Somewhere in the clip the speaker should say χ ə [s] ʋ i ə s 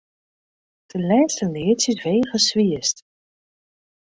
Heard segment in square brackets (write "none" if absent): s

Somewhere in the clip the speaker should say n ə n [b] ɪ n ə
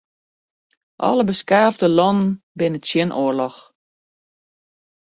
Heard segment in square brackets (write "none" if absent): b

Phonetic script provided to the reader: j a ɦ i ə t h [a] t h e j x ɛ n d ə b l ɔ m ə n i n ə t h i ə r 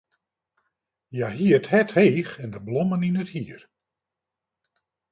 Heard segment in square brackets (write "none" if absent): ɛ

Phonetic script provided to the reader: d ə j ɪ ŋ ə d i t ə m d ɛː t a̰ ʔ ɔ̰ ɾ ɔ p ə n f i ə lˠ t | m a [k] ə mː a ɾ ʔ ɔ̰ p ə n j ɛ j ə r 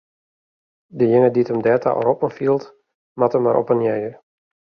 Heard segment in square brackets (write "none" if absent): t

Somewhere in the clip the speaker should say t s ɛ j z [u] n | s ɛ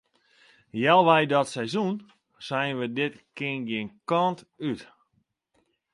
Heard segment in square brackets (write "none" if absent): u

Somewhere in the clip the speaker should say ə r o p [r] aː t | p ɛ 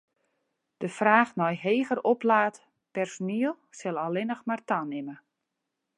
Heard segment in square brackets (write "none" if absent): l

